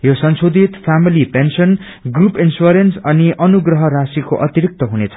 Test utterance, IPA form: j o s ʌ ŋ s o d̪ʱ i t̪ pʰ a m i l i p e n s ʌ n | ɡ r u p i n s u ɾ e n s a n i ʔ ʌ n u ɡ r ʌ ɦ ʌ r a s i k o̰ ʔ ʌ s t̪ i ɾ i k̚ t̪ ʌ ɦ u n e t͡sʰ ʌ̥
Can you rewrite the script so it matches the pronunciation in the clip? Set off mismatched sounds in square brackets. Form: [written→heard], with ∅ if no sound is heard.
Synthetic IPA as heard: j o s ʌ [ŋ→n] s o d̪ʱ i t̪ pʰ a m i l i p e n s ʌ n | ɡ r u p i n s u ɾ e n s [a→ʌ] n i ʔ ʌ n u ɡ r ʌ ɦ ʌ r a s i k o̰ ʔ ʌ [s→∅] t̪ i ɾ i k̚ t̪ ʌ ɦ u n e t͡sʰ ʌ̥